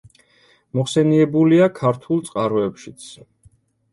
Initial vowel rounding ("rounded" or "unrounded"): rounded